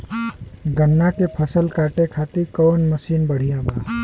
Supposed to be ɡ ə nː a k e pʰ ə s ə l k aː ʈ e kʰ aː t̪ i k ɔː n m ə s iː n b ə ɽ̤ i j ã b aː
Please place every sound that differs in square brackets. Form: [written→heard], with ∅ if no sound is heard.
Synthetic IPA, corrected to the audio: ɡ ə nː a k e pʰ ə s ə l k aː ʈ e kʰ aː t̪ i k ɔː n m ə s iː n b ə ɽ̤ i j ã b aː